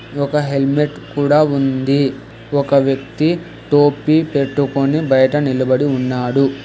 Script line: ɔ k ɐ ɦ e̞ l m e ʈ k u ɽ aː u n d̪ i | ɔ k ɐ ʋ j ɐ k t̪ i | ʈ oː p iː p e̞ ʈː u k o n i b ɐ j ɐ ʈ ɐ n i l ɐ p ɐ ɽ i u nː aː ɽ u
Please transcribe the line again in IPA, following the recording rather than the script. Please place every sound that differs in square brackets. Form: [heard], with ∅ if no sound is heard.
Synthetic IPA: ɔ k ɐ ɦ e̞ l m e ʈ k [uː] ɽ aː u n d̪ i | ɔ k ɐ ʋ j ɐ k t̪ i | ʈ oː p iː p e̞ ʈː u k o n i b ɐ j ɐ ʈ ɐ n i l ɐ [b] ɐ ɽ i u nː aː ɽ u